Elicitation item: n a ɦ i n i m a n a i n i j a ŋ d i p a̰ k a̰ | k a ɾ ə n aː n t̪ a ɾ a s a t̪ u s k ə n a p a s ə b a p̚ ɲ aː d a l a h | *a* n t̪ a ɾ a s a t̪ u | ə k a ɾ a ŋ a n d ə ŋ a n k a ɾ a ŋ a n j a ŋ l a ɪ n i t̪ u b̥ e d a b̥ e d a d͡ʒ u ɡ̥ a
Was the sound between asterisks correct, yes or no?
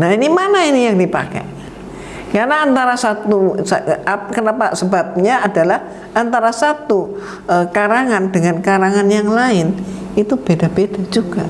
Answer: yes